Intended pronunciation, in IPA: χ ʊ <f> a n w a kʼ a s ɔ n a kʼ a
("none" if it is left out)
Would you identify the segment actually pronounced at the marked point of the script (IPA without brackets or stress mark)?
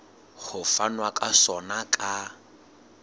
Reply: f